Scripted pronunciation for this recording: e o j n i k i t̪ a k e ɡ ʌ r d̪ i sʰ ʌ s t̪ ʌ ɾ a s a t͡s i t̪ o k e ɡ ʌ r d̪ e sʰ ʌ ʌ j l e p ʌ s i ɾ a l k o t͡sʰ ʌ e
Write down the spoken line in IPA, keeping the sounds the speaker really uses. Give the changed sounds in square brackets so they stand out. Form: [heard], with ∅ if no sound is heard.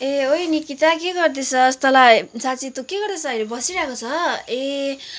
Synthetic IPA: e o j n i k i t̪ a k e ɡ ʌ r d̪ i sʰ ʌ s t̪ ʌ [l] a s a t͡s i t̪ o k e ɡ ʌ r d̪ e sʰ ʌ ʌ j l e [b] ʌ s i ɾ a [∅] k o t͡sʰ ʌ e